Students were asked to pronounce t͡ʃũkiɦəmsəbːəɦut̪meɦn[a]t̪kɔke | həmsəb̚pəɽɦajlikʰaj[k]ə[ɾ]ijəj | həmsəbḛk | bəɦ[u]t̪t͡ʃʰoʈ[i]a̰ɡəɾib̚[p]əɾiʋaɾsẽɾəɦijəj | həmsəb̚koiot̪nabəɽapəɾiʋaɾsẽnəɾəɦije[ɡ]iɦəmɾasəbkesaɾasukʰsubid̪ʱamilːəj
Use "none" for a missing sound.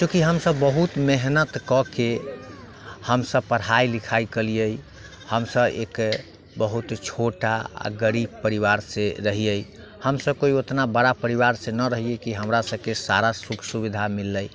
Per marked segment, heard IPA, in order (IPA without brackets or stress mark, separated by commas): ə, k, l, u, a, p, k